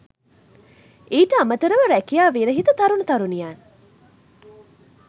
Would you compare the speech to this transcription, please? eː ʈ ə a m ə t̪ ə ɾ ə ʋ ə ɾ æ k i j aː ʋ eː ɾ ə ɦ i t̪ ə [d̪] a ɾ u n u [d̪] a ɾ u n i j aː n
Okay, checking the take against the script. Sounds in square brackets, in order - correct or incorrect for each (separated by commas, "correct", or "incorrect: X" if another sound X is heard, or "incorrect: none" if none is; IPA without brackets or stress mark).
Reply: incorrect: t̪, incorrect: t̪